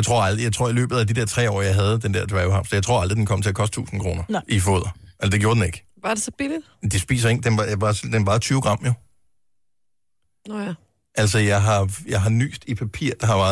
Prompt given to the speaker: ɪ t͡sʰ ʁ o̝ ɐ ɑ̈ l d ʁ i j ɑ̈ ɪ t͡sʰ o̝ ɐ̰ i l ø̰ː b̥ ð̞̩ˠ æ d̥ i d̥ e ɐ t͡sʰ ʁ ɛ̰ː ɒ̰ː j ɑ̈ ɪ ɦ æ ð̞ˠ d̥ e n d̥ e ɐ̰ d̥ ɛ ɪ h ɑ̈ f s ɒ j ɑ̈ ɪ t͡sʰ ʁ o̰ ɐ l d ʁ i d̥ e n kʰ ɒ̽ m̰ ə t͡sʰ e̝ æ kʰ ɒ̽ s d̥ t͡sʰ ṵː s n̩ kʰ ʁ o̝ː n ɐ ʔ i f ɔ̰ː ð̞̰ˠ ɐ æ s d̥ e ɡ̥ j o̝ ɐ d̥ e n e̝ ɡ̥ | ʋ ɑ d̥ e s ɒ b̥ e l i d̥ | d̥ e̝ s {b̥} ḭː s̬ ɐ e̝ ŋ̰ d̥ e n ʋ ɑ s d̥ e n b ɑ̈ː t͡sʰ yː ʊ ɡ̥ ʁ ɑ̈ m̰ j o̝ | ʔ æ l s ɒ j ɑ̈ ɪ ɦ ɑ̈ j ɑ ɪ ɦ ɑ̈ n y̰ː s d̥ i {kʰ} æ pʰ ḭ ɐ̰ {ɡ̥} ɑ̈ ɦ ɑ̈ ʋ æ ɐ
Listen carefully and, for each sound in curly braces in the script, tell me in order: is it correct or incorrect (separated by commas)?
correct, incorrect, incorrect